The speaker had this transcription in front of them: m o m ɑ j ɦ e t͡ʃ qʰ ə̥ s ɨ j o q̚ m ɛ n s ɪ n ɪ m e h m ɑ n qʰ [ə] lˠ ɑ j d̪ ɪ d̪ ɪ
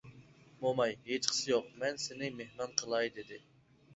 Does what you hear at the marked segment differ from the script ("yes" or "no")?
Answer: no